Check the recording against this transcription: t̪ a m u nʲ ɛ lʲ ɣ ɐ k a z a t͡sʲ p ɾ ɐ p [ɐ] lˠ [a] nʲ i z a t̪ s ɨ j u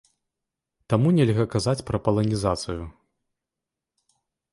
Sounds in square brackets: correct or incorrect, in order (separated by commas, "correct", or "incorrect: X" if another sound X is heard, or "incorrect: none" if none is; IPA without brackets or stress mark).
correct, incorrect: ɐ